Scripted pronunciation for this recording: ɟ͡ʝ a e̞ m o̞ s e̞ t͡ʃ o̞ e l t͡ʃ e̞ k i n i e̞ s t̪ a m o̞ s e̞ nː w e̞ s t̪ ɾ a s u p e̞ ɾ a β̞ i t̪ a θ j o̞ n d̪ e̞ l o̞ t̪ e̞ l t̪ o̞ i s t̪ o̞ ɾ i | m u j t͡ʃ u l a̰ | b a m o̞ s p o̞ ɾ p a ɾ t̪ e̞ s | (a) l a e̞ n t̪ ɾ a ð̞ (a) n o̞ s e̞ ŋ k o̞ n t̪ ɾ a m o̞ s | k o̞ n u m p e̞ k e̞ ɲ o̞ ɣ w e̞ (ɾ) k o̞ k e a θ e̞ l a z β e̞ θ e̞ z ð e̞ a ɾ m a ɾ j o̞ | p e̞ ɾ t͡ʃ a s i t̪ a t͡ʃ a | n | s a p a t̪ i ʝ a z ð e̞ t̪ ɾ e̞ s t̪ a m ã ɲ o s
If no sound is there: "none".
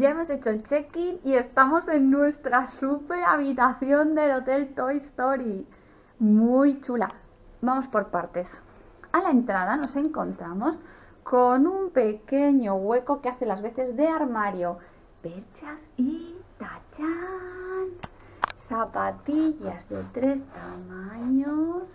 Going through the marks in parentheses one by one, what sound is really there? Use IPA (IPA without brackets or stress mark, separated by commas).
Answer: a, a, ɾ